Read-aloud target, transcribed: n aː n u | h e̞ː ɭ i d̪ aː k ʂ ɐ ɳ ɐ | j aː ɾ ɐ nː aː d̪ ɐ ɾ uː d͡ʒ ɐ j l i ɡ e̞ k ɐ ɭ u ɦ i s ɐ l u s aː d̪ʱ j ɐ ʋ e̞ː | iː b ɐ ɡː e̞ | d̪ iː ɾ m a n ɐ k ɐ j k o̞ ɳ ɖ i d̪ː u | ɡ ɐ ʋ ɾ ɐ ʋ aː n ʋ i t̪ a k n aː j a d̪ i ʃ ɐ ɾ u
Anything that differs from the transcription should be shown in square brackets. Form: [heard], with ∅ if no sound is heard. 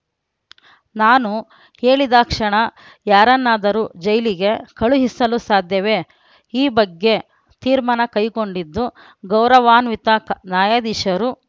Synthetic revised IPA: n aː n u | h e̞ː ɭ i d̪ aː k ʂ ɐ ɳ ɐ | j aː ɾ ɐ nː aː d̪ ɐ ɾ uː d͡ʒ ɐ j l i ɡ e̞ k ɐ ɭ u ɦ i s ɐ l u s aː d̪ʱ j ɐ ʋ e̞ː | iː b ɐ ɡː e̞ | [t̪] iː ɾ m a n ɐ k ɐ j k o̞ ɳ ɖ i d̪ː u | ɡ ɐ [w] ɾ ɐ ʋ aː n ʋ i t̪ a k n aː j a d̪ i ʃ ɐ ɾ u